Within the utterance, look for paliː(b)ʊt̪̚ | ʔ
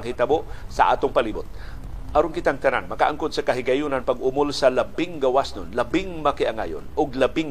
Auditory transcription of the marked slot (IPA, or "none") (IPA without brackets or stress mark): b